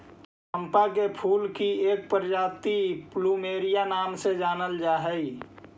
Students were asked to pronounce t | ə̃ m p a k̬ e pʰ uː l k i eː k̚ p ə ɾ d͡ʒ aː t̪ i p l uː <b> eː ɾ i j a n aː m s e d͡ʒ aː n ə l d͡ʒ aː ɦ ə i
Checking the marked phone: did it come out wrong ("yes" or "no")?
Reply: yes